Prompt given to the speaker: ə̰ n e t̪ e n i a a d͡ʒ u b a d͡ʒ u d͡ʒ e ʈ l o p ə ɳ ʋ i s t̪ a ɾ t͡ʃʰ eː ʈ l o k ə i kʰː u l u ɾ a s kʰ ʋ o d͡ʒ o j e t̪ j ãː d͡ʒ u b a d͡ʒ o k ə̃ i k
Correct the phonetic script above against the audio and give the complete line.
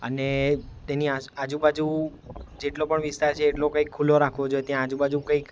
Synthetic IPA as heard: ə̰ n e t̪ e n i a a d͡ʒ u b a d͡ʒ u d͡ʒ e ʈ l o p ə ɳ ʋ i s t̪ a ɾ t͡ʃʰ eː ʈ l o k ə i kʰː u l o ɾ a kʰ ʋ o d͡ʒ o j e t̪ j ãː d͡ʒ u b a d͡ʒ u k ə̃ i k

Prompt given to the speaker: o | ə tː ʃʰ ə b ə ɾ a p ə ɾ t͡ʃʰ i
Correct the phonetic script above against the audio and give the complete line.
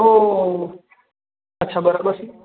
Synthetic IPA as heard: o | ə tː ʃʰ a b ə ɾ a b ə ɾ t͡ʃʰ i

